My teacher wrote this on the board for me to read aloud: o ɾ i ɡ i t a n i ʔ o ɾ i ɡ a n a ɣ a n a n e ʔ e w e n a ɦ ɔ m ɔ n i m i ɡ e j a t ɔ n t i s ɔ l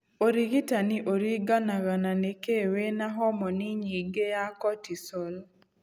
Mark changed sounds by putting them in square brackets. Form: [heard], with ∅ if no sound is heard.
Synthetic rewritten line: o ɾ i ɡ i t a n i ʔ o ɾ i ɡ a n a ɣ a n a n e [k] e w e n a ɦ ɔ m ɔ n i [ɲ] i ɡ e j a [k] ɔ [∅] t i s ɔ l